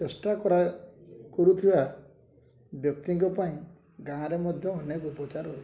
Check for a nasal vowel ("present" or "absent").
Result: present